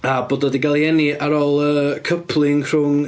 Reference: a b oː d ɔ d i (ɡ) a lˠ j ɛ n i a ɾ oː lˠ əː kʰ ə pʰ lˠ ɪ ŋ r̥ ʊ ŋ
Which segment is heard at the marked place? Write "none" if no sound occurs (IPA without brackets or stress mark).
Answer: ɡ